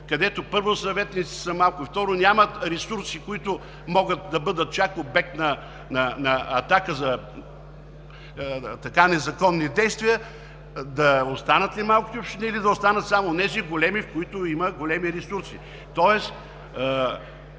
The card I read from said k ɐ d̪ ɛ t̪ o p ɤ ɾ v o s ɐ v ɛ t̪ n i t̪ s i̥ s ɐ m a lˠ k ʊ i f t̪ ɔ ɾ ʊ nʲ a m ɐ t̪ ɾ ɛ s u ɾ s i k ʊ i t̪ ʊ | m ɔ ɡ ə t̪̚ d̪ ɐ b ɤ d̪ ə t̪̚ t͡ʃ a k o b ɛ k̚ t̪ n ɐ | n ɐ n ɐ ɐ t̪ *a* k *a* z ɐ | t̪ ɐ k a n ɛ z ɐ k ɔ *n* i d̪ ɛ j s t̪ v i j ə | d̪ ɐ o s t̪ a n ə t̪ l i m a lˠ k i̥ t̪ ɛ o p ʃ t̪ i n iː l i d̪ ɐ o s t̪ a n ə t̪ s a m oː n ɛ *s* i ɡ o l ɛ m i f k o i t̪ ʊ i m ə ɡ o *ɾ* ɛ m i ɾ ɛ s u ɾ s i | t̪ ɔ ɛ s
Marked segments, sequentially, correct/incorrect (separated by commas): correct, incorrect, incorrect, incorrect, incorrect